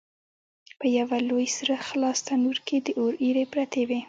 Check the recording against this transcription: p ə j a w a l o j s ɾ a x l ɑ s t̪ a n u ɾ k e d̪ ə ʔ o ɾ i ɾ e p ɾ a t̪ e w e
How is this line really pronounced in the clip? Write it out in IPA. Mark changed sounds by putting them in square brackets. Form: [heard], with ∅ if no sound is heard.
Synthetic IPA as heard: p ə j a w a l o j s ɾ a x l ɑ s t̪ a n u ɾ k e d̪ ə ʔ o ɾ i ɾ e p ɾ a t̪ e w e